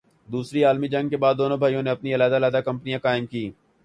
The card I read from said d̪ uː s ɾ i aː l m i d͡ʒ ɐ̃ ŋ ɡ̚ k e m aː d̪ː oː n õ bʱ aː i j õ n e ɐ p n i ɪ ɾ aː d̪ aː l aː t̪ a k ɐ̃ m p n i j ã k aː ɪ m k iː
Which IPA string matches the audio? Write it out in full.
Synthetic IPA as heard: d̪ uː s ɾ i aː l m i d͡ʒ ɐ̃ ŋ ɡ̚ k e b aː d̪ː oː n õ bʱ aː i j õ n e ɐ p n i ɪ l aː d̪ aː l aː d̪ a k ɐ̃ m p n i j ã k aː ɪ m k iː